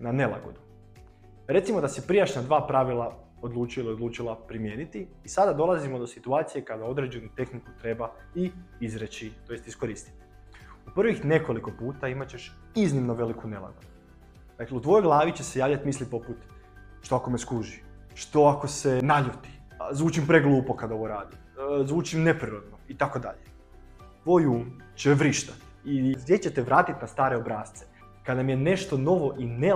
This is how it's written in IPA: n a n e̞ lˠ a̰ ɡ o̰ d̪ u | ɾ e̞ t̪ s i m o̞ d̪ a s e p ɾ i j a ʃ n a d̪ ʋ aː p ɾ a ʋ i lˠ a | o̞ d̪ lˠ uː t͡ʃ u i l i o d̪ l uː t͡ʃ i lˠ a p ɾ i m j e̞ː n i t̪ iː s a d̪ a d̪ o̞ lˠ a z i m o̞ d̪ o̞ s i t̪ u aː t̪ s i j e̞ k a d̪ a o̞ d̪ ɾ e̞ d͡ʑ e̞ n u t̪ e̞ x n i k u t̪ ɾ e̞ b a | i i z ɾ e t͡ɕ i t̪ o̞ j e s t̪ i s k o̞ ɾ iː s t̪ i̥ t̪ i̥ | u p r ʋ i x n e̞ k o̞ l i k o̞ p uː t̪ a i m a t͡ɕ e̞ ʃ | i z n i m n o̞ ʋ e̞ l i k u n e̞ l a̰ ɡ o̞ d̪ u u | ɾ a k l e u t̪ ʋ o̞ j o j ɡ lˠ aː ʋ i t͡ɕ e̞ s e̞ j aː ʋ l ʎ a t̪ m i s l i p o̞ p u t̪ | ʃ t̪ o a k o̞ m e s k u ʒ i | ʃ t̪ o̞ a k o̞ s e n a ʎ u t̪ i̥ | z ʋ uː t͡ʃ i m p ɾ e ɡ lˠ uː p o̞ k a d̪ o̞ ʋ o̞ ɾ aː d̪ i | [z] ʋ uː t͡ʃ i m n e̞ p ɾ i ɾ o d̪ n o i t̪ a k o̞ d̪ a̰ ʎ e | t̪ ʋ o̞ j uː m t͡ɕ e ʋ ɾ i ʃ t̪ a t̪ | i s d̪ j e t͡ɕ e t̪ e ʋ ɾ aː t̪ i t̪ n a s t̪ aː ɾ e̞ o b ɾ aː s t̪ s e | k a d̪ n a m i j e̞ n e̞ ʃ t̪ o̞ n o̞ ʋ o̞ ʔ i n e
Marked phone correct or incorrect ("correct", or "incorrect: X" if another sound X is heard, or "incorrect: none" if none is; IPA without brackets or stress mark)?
correct